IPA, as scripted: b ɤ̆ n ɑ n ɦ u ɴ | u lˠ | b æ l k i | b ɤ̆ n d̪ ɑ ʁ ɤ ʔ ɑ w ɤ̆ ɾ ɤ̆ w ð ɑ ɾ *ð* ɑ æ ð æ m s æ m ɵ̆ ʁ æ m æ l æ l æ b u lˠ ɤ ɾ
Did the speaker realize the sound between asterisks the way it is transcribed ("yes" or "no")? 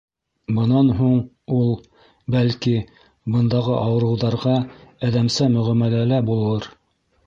no